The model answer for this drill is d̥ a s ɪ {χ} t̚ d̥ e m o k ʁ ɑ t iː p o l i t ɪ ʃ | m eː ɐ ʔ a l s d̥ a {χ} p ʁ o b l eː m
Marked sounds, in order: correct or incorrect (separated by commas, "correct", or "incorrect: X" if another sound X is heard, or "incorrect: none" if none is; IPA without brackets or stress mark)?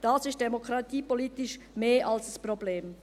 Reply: incorrect: s, incorrect: s